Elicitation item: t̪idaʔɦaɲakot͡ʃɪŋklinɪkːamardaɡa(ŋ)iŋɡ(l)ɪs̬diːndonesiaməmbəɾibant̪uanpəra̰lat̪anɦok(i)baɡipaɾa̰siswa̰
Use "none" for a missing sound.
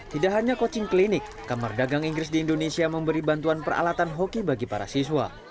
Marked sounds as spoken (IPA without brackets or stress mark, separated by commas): ŋ, ɾ, i